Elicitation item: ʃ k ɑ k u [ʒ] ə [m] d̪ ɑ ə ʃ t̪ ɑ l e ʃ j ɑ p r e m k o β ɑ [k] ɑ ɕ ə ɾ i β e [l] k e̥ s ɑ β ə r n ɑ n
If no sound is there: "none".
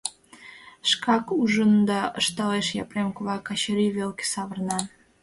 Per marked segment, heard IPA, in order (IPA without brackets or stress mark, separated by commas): ʒ, n, k, l